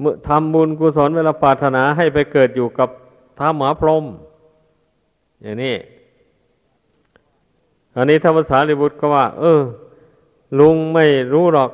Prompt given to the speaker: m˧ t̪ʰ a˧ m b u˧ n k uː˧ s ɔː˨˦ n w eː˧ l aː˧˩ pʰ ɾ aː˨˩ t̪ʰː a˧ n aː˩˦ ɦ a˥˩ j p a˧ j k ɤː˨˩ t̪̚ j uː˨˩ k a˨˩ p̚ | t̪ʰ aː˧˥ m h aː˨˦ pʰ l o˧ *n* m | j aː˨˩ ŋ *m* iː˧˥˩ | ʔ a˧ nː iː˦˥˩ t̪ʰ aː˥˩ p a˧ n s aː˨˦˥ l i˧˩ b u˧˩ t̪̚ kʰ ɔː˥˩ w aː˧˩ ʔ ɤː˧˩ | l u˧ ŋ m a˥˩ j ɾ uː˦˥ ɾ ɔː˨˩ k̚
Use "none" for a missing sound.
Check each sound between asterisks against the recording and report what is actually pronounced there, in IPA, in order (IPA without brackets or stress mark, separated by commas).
none, n